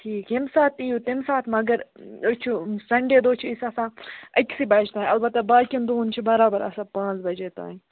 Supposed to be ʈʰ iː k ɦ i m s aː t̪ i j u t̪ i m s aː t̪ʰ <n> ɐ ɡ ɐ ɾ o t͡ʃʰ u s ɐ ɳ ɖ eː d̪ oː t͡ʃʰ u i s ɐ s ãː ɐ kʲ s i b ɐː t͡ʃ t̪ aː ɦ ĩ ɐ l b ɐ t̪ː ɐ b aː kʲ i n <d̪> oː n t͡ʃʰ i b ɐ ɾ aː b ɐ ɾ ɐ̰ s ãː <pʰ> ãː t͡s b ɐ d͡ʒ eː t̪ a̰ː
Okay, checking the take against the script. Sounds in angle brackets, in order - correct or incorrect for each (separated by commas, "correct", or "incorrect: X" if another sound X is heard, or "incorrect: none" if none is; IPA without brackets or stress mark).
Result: incorrect: m, correct, incorrect: p